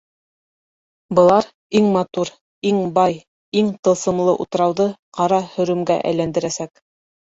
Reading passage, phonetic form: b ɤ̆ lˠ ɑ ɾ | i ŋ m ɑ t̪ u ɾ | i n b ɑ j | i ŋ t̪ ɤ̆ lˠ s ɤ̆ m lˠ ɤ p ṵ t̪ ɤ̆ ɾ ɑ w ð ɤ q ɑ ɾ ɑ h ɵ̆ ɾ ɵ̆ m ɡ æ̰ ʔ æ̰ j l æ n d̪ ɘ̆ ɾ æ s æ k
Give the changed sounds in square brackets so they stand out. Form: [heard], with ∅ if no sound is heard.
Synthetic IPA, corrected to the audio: b ɤ̆ lˠ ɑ ɾ | i ŋ m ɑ t̪ u ɾ | i [ŋ] b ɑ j | i ŋ t̪ ɤ̆ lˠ s ɤ̆ m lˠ ɤ [ʔ] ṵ t̪ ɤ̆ ɾ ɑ w ð ɤ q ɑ ɾ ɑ h ɵ̆ ɾ ɵ̆ m ɡ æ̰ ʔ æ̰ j l æ n d̪ ɘ̆ ɾ æ s æ k